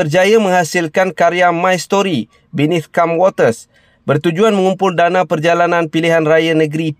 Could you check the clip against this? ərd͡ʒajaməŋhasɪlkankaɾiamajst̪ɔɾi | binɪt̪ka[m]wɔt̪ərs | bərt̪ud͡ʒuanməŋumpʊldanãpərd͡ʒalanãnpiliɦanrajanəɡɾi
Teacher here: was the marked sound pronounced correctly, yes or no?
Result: yes